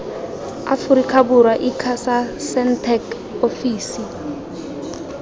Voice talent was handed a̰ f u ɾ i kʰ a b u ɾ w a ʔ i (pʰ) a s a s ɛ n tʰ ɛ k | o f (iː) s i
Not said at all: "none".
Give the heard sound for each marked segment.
kʰ, iː

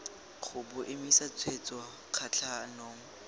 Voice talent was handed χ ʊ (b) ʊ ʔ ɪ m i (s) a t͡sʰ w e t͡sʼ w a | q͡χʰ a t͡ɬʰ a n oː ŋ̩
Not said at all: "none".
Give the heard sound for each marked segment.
b, s

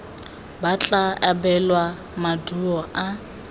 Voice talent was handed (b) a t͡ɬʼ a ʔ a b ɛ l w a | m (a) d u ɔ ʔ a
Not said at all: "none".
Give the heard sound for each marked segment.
b, a

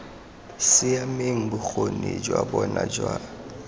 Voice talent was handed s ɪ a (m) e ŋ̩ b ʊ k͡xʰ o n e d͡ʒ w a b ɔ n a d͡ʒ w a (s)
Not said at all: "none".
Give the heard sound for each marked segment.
m, none

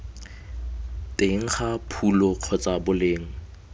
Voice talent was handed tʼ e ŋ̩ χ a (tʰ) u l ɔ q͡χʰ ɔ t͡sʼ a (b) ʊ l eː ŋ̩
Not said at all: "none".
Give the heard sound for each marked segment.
pʰ, b

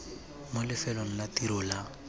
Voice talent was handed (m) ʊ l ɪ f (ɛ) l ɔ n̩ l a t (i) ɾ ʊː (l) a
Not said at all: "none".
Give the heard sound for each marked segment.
m, ɛ, i, l

